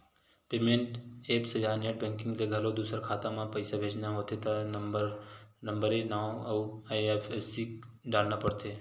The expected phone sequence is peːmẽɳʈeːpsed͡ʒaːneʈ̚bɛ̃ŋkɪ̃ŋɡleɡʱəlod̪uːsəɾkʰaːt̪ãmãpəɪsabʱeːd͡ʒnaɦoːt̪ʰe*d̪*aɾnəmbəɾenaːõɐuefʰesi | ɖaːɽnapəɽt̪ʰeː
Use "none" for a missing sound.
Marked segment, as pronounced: t̪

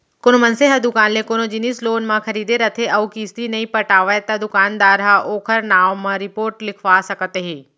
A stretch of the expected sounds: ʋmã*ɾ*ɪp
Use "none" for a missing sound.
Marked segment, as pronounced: ɾ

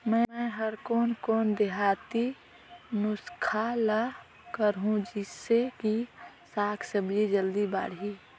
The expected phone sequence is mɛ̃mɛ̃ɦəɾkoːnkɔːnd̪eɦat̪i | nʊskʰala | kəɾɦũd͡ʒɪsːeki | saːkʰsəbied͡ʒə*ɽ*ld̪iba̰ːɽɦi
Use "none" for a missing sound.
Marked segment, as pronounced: none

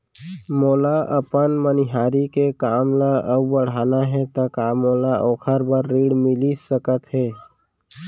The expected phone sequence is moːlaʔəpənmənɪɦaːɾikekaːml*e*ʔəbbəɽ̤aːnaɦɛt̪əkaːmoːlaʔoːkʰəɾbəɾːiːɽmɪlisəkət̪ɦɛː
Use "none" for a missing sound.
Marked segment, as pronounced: a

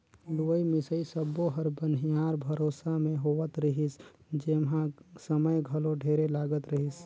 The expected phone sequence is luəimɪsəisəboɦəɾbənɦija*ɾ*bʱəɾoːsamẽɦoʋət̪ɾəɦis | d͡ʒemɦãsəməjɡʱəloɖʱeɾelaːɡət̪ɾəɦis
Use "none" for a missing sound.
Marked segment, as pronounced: ɾ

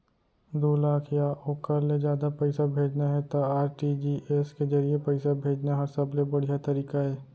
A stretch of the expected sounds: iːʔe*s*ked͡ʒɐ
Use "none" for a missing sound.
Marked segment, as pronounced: s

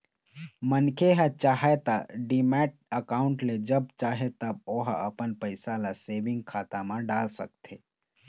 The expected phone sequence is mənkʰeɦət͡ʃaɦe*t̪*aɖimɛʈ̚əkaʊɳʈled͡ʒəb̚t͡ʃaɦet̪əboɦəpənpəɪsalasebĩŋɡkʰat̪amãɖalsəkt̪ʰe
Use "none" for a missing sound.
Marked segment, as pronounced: t̪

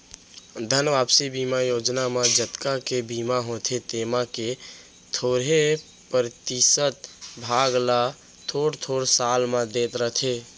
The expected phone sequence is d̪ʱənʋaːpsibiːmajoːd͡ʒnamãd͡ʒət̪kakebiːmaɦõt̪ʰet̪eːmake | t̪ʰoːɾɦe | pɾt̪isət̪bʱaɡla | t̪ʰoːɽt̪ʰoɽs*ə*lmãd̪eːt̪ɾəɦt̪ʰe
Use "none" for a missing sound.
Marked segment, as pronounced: a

